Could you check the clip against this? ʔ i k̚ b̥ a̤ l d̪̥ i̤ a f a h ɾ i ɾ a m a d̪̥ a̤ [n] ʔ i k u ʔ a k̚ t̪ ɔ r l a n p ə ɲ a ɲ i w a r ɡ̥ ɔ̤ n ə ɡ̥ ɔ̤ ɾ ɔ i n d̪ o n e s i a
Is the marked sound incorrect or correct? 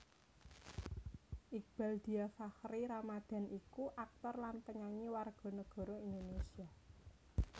correct